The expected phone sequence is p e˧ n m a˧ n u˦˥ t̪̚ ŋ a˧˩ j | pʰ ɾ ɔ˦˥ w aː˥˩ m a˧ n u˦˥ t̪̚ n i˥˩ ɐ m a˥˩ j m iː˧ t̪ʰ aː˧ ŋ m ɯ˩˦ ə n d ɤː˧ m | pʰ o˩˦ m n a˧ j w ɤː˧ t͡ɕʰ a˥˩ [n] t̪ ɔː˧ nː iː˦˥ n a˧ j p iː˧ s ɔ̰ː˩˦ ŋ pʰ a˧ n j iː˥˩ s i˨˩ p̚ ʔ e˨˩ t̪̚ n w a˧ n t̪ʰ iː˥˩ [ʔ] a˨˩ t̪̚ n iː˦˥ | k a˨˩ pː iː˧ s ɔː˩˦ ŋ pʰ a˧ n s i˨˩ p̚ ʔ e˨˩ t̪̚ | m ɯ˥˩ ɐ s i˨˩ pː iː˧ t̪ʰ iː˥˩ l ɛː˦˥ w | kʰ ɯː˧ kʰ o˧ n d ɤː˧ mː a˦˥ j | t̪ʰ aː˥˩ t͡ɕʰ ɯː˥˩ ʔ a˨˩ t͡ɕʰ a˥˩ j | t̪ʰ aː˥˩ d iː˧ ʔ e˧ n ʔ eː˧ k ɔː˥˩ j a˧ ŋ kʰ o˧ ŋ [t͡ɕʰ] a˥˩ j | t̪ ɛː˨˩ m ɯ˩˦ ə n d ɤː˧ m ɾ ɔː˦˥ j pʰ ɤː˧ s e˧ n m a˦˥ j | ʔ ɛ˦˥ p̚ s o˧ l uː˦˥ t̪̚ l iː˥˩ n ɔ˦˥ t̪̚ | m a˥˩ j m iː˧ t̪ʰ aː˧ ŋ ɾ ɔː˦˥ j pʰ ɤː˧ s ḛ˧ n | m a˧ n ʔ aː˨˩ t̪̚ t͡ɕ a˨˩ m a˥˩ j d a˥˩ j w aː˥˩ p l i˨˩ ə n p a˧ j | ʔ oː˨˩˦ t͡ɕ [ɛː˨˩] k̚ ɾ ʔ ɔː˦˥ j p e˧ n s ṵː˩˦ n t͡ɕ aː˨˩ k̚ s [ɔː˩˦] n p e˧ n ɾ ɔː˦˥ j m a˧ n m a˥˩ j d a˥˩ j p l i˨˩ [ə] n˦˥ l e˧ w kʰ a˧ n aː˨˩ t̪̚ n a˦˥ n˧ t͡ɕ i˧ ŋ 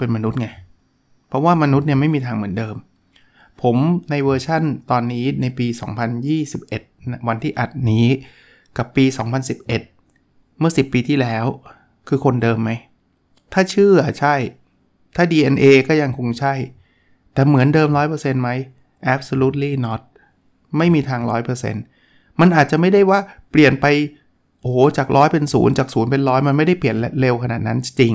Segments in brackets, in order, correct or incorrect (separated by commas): correct, correct, correct, incorrect, incorrect, correct